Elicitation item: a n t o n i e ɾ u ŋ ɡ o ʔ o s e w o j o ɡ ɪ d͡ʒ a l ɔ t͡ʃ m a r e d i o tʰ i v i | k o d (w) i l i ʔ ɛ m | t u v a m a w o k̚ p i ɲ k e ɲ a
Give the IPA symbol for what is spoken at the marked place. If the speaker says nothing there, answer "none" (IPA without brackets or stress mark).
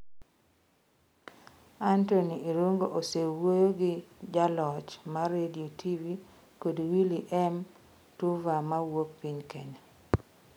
w